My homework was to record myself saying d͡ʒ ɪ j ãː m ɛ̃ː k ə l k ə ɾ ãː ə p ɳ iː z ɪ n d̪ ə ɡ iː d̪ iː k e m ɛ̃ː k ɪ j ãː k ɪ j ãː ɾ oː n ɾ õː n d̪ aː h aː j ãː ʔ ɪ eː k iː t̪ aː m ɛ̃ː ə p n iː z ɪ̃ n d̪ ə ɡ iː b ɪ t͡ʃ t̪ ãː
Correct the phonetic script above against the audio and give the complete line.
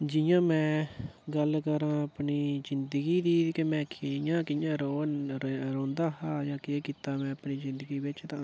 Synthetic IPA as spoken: d͡ʒ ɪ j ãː m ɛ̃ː ɡ ə l k ə ɾ ãː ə p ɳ iː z ɪ n d̪ ə ɡ iː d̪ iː k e m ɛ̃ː k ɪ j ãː k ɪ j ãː ɾ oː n ɾ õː n d̪ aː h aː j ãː k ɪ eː k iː t̪ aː m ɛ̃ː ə p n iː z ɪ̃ n d̪ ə ɡ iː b ɪ t͡ʃ t̪ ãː